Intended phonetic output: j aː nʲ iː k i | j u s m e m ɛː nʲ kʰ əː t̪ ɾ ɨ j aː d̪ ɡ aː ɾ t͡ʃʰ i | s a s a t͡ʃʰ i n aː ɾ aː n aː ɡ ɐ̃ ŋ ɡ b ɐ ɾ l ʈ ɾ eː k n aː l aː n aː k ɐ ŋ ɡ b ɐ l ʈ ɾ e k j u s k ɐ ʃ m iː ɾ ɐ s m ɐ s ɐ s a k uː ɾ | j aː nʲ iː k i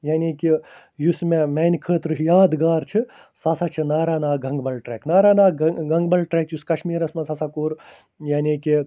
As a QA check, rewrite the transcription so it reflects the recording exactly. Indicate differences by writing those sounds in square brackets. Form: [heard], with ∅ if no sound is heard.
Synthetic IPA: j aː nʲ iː k i | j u s m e m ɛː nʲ kʰ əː t̪ ɾ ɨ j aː d̪ ɡ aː ɾ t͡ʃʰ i | s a s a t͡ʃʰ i n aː ɾ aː n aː ɡ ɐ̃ ŋ ɡ b ɐ [∅] l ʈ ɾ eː k n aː [ɾ] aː n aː [ɡ] ɐ ŋ ɡ b ɐ l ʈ ɾ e k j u s k ɐ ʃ m iː ɾ ɐ s m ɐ s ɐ s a k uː ɾ | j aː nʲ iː k i